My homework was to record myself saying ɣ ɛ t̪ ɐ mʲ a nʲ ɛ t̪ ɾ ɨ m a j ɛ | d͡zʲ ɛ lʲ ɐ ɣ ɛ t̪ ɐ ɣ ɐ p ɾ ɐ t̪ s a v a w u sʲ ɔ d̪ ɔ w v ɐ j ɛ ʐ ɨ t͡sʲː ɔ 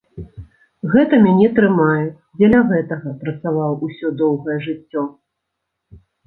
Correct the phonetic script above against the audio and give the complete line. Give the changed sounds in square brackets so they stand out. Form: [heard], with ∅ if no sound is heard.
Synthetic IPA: ɣ ɛ t̪ ɐ mʲ a nʲ ɛ t̪ ɾ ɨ m a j ɛ | d͡zʲ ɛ lʲ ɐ ɣ ɛ t̪ ɐ ɣ ɐ p ɾ ɐ t̪ s a v a w u sʲ ɔ d̪ ɔ w [ɣ] ɐ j ɛ ʐ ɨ t͡sʲː ɔ